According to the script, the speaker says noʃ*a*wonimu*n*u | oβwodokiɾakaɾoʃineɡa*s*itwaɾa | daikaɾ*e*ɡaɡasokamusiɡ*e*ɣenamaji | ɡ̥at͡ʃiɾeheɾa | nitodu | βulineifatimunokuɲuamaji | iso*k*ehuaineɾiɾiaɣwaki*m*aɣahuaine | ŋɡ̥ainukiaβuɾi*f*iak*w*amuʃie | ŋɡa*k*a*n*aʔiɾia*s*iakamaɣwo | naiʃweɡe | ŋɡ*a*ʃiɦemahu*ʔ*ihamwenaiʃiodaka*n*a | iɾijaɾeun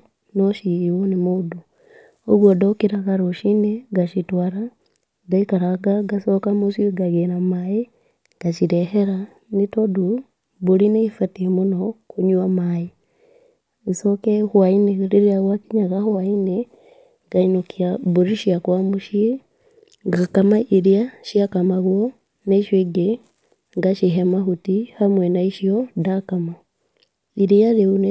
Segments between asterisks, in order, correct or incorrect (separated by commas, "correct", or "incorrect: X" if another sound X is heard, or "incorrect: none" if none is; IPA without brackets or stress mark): incorrect: i, incorrect: d, incorrect: ʃ, incorrect: a, incorrect: a, correct, incorrect: ɲ, incorrect: ʃ, correct, correct, incorrect: m, incorrect: ʃ, correct, incorrect: t, incorrect: m